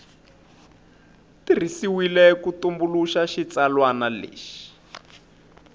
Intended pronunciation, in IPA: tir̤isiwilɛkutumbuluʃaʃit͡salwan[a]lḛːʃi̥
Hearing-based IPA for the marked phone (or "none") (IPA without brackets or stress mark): a